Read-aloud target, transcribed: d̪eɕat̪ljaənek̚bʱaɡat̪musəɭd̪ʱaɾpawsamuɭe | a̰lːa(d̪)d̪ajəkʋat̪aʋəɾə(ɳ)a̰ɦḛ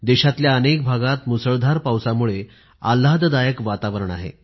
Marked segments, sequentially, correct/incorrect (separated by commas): correct, correct